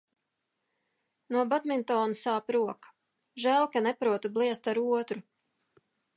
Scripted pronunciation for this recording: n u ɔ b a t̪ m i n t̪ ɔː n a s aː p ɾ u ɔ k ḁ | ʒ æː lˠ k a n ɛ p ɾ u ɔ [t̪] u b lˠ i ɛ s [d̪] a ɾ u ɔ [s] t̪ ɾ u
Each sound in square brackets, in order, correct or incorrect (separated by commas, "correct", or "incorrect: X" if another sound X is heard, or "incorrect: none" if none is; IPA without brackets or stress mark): correct, incorrect: t̪, incorrect: none